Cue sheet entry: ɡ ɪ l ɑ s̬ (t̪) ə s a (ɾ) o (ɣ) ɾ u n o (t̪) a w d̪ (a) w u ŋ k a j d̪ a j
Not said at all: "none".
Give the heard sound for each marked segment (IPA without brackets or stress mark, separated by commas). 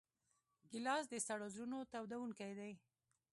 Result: d̪, ɽ, z, t̪, a